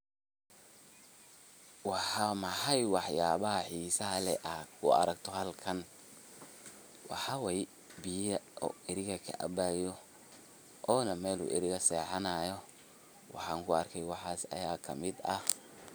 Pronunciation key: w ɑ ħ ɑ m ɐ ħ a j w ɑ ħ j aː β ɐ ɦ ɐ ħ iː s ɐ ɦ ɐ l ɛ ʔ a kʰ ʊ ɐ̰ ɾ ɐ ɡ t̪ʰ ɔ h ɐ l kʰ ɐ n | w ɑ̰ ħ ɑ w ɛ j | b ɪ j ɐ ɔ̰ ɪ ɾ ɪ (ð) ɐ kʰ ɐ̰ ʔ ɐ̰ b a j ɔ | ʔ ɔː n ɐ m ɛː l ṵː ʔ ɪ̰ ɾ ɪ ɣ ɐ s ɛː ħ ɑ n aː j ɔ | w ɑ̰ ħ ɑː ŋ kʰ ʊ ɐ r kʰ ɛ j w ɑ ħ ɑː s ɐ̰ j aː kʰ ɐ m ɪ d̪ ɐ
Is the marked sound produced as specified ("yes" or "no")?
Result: no